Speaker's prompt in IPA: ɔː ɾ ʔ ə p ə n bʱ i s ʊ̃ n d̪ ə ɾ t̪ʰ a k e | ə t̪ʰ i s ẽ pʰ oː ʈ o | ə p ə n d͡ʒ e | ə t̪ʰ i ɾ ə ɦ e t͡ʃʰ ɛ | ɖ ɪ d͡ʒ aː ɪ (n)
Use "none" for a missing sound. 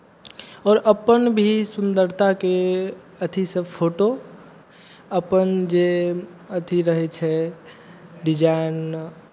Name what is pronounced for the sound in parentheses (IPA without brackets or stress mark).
n